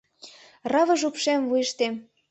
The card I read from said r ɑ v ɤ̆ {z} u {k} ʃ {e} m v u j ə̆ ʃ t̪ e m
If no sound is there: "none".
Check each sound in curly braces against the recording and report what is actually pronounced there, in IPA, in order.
ʒ, p, e

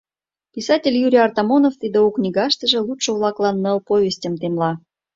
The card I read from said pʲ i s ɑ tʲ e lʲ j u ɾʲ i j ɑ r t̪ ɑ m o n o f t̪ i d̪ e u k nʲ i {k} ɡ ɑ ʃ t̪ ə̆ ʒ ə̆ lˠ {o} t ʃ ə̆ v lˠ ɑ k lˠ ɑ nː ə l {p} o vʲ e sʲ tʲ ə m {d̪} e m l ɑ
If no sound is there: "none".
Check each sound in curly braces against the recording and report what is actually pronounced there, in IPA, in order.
none, u, p, t̪

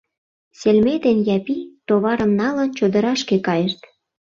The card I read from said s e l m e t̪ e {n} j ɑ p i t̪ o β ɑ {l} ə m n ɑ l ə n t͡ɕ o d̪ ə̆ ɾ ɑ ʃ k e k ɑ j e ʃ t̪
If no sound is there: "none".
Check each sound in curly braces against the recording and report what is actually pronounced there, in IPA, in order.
n, ɾ

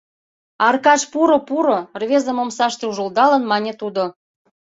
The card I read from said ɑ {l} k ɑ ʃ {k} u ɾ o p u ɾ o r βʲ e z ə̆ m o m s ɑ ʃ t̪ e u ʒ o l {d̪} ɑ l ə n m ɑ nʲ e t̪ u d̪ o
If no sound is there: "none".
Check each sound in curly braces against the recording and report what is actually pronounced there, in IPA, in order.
r, p, d̪

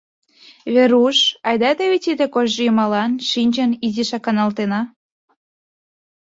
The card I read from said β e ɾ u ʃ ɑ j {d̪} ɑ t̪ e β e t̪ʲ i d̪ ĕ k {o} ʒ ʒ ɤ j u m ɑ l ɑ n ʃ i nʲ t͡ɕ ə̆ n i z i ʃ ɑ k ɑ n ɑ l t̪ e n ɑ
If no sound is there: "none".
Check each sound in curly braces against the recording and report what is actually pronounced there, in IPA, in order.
d̪, o

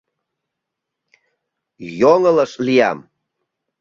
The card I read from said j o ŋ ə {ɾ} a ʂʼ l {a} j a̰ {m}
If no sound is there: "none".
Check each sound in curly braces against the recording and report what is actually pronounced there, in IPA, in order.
l, i, m

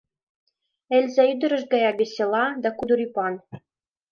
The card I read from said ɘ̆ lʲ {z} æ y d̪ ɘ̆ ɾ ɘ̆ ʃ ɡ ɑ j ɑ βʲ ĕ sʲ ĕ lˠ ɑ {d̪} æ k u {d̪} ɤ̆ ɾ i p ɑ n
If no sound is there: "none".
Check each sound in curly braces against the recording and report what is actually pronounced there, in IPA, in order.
z, d̪, d̪

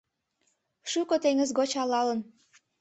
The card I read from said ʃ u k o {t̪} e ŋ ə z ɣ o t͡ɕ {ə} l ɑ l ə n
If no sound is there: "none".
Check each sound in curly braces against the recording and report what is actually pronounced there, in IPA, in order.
t̪, ɑ

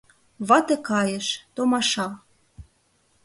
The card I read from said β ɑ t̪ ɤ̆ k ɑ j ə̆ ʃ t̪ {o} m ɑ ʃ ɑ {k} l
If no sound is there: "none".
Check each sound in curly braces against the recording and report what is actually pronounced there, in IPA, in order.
o, none

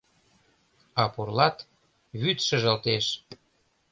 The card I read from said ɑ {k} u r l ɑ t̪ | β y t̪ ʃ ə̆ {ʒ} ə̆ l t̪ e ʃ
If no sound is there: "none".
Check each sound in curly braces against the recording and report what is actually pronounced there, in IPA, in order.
p, ʒ

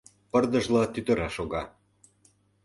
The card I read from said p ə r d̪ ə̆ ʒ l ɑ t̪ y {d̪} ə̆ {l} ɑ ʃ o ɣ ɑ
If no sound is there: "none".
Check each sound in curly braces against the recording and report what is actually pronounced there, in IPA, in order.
t̪, ɾ

